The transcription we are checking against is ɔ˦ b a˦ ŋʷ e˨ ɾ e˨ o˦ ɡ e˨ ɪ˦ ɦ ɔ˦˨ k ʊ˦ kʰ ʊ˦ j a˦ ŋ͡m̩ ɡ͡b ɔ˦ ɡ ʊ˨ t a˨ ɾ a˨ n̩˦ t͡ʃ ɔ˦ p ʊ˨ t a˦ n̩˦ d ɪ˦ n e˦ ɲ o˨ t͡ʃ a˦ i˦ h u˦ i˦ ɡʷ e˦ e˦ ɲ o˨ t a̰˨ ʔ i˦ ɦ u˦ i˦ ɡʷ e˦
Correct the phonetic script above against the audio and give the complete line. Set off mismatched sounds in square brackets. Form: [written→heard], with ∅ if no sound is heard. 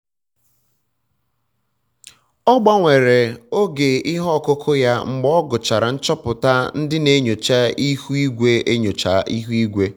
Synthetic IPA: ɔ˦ [b→ɡ͡b] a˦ ŋʷ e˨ ɾ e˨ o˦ ɡ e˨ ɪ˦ ɦ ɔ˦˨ k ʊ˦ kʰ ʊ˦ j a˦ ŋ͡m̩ ɡ͡b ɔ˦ ɡ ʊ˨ [t→t͡ʃ] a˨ ɾ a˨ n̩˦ t͡ʃ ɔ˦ p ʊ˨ t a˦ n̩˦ d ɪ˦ n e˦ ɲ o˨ t͡ʃ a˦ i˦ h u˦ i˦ ɡʷ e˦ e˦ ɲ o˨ [t→t͡ʃ] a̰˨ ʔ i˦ ɦ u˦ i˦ ɡʷ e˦